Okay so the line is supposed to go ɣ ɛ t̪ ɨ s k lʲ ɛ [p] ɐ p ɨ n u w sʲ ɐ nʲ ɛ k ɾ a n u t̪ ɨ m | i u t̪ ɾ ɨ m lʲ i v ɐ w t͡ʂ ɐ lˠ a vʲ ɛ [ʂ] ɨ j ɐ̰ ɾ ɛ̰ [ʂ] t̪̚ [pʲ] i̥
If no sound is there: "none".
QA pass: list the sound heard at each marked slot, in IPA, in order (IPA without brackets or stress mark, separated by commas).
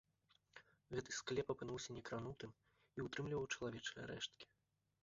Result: p, t͡ʂ, ʂ, kʲ